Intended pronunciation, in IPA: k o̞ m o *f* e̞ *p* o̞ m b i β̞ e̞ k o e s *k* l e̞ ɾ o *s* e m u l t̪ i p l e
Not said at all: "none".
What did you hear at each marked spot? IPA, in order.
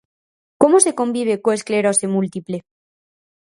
s, k, k, s

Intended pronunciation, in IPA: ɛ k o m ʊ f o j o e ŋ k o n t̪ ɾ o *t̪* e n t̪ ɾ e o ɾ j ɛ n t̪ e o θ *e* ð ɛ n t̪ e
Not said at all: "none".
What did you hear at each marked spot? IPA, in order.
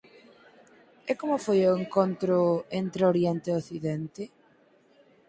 none, i

